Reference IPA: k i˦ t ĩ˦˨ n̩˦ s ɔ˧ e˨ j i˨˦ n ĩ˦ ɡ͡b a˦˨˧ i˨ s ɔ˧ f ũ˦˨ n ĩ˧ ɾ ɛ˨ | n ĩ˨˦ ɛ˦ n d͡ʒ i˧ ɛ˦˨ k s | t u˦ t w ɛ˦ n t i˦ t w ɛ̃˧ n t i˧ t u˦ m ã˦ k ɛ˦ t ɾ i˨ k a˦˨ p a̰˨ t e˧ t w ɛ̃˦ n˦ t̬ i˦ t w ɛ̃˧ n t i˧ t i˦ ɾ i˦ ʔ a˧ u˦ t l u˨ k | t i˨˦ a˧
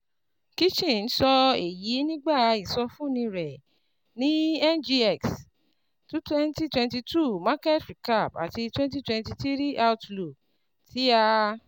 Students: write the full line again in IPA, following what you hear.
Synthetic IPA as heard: k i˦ t͡ʃ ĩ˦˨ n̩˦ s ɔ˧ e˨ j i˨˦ n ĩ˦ ɡ͡b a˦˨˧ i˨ s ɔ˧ f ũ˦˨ n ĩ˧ ɾ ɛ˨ | n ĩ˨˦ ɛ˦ n d͡ʒ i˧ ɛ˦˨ k s | t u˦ t w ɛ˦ n t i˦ t w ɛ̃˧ n t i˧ t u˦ m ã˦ k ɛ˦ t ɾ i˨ k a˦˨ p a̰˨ t i˧ t w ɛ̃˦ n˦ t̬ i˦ t w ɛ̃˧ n t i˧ t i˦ ɾ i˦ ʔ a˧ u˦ t l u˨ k | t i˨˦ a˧